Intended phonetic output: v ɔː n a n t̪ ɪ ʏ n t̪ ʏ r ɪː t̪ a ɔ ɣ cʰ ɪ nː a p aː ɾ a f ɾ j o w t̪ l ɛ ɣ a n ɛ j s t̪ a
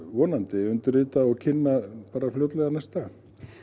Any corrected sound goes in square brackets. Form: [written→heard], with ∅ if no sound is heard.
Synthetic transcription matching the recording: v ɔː n a n t̪ ɪ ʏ n t̪ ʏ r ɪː t̪ a ɔ ɣ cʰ ɪ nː a p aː ɾ a f [ɾ→l] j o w t̪ l ɛ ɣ a n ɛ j s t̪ a